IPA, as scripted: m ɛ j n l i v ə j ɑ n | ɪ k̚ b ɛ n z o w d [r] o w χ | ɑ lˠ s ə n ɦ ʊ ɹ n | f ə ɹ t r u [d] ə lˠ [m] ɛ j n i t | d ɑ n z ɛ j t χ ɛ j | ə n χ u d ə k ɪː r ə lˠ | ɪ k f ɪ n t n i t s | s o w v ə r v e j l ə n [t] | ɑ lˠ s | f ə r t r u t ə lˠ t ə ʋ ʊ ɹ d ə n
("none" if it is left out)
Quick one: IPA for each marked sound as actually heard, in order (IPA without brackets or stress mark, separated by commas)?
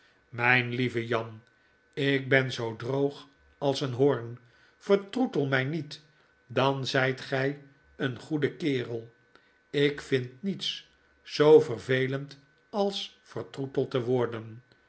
r, t, m, t